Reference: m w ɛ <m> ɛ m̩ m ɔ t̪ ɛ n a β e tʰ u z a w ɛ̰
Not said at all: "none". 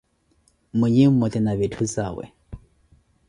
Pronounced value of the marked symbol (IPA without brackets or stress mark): ɲ